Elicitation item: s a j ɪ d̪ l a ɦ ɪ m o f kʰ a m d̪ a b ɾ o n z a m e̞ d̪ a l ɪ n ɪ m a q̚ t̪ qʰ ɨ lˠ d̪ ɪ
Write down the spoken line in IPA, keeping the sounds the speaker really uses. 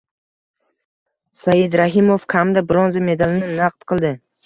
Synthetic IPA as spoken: s a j ɪ d̪ ɾ a ɦ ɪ m o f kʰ a m d̪ a b ɾ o n z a m e̞ d̪ a l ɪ n ɪ n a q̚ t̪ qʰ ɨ lˠ d̪ ɪ